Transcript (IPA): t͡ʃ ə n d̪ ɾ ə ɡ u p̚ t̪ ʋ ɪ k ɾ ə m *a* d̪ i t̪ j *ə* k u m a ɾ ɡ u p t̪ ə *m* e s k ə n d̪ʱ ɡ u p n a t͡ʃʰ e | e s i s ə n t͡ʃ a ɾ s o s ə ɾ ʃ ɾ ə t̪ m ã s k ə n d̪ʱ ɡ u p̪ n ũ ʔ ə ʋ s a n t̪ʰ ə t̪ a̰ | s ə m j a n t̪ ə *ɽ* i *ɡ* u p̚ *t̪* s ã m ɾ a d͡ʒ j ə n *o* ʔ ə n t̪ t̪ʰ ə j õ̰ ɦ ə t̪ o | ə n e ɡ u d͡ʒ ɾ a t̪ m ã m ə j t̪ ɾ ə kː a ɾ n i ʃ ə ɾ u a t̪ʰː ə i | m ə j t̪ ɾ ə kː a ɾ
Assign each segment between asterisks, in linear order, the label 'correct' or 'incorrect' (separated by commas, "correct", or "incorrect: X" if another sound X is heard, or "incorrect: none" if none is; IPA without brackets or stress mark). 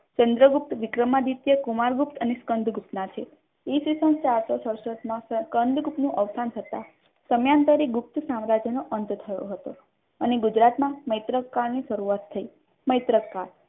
correct, correct, incorrect: n, incorrect: ɾ, correct, correct, correct